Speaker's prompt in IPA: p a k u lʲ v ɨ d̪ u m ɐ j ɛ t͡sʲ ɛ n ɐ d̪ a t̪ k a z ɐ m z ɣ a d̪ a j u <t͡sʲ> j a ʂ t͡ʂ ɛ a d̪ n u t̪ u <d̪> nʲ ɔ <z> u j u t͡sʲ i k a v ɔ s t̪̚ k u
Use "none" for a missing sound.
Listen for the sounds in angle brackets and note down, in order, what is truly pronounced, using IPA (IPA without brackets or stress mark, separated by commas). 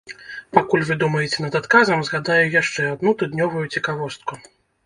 none, d̪, v